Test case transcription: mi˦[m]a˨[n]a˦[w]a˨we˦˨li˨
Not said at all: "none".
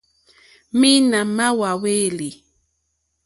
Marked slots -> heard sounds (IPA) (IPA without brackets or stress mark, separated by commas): n, m, w